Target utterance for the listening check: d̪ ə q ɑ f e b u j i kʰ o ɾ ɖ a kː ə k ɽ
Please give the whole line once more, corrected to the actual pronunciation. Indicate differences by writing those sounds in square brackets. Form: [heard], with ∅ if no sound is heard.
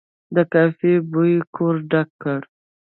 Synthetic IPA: d̪ ə [k] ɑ f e b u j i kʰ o ɾ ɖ a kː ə [∅] ɽ

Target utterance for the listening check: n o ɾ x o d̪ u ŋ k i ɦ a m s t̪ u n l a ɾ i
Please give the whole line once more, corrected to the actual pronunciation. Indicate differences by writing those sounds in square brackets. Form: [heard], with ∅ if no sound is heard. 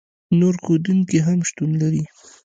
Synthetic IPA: n o ɾ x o d̪ u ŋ k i ɦ a m [ʃ] t̪ u n l a ɾ i

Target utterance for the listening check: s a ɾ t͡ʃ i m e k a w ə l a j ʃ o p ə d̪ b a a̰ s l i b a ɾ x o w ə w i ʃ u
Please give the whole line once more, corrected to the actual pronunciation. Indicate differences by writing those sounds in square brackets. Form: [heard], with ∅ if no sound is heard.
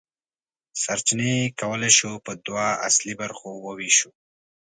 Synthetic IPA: s a ɾ t͡ʃ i [n] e k a w ə l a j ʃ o p ə d̪ [w] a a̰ s l i b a ɾ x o w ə w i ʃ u

